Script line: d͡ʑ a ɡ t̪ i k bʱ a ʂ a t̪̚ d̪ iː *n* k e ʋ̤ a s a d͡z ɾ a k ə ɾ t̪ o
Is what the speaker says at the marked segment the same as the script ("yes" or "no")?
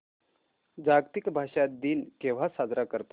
yes